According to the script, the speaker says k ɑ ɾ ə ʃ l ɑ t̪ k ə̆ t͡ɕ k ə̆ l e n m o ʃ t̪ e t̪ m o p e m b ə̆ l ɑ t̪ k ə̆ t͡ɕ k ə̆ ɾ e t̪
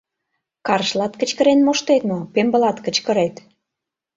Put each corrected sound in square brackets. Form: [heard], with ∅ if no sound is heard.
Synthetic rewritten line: k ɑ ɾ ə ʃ l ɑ t̪ k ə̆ t͡ɕ k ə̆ [ɾ] e n m o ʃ t̪ e t̪ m o p e m b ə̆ l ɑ t̪ k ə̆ t͡ɕ k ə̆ ɾ e t̪